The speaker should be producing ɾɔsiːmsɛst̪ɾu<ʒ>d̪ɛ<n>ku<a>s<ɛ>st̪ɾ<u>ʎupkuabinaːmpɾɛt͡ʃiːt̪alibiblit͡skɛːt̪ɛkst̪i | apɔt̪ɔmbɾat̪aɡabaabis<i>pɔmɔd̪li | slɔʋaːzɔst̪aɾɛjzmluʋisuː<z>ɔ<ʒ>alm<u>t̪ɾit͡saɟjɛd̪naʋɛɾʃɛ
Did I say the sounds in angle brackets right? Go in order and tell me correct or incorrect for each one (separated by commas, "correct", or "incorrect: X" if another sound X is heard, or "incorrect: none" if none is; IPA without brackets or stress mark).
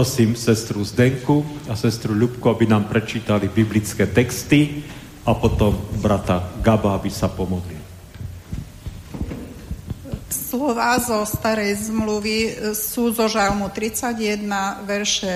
incorrect: z, incorrect: ŋ, correct, correct, correct, incorrect: a, correct, correct, correct